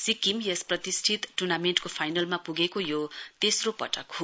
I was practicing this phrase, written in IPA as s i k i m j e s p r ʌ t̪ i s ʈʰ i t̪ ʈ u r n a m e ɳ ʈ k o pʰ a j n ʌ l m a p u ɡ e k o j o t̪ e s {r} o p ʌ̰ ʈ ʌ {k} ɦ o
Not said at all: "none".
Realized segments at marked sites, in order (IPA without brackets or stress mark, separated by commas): r, k